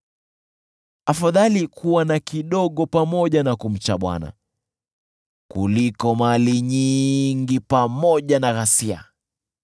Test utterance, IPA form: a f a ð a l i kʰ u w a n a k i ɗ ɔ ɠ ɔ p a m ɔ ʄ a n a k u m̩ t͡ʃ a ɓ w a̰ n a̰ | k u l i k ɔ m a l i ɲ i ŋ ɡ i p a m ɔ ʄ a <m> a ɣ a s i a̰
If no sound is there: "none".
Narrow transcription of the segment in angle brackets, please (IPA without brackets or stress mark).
n